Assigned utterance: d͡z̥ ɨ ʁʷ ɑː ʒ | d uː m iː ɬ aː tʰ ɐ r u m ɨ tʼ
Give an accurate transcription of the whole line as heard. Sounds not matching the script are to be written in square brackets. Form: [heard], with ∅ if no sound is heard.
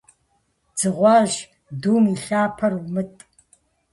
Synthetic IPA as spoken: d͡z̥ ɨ ʁʷ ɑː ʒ | d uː m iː ɬ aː [pʰ] ɐ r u m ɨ tʼ